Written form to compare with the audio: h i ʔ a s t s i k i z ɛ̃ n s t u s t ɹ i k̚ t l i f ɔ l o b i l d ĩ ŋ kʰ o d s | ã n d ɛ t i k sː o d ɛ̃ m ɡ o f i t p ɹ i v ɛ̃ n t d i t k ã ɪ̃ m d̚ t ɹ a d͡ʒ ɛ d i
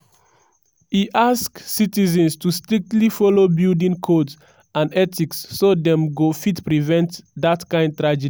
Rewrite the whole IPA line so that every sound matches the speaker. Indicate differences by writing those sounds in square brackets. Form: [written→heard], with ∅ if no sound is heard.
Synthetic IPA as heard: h i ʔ a s [t→k] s i [k→t] i z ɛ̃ n s t u s t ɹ i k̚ t l i f ɔ l o b i l d ĩ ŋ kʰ o d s | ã n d ɛ t i k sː o d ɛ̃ m ɡ o f i t p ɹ i v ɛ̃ n t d [i→a] t k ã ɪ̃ [m→n] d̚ t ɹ a d͡ʒ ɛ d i